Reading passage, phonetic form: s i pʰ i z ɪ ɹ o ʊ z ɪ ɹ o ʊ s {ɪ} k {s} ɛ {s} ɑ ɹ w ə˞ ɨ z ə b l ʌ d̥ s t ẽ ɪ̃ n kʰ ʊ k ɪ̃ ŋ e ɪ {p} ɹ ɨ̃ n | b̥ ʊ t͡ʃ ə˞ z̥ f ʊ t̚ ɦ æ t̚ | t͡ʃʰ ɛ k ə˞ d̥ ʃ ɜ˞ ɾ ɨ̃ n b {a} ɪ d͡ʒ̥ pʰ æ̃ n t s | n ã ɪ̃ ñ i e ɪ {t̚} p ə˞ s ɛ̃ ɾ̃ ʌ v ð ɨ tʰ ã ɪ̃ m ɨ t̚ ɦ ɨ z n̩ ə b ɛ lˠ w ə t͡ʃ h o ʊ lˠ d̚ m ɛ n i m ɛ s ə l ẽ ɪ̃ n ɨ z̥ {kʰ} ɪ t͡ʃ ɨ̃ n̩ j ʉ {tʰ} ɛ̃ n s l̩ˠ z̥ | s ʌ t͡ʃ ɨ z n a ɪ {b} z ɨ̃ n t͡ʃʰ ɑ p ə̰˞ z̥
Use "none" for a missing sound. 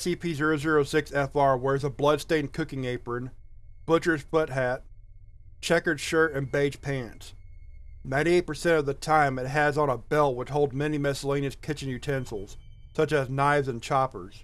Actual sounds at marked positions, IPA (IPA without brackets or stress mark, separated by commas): ɪ, s, f, p, e, t̚, kʰ, tʰ, v